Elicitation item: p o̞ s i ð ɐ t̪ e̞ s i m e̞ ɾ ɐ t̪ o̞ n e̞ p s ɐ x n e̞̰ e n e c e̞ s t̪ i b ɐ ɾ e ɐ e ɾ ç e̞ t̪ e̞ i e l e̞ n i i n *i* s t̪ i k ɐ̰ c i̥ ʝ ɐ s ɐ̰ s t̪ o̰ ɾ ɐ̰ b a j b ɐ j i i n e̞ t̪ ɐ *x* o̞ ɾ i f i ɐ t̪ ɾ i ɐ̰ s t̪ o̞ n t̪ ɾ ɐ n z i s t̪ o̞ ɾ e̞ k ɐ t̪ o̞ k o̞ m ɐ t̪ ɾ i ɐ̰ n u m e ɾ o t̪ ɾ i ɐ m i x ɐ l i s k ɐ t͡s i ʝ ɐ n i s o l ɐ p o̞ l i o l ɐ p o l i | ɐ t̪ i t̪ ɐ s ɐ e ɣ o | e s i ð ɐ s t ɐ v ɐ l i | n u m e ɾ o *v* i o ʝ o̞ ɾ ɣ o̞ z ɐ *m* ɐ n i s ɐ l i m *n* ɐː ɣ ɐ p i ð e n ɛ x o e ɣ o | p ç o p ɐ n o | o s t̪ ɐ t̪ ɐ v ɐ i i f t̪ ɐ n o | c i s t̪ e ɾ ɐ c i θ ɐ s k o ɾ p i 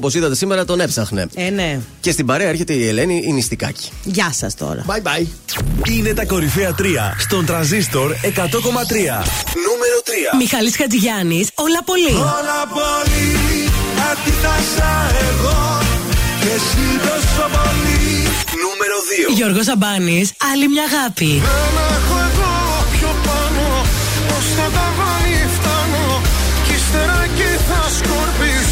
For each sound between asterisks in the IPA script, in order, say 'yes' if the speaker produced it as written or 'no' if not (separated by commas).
yes, no, no, no, no